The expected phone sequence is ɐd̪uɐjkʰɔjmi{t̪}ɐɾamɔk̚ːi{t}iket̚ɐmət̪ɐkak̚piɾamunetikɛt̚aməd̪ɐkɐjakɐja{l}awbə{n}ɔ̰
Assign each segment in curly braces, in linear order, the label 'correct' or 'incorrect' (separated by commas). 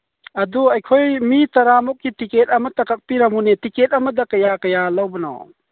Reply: correct, correct, correct, correct